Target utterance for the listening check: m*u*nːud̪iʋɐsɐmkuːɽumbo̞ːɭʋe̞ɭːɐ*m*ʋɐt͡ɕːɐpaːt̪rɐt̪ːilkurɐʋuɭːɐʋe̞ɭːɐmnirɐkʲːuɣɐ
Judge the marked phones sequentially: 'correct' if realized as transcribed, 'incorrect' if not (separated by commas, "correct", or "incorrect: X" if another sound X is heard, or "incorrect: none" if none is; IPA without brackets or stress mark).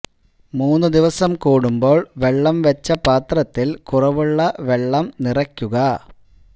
incorrect: uː, correct